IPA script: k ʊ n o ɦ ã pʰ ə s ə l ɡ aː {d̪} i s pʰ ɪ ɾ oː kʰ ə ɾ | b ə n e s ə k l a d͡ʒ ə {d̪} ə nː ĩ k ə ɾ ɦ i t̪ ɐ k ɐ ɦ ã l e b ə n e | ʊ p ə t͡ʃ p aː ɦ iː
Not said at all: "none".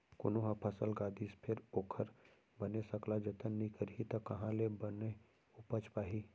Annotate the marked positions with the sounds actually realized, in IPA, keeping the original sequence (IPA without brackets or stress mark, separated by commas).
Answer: d̪, t̪